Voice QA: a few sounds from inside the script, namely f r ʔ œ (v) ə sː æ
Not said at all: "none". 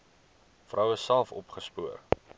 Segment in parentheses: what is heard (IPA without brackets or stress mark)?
w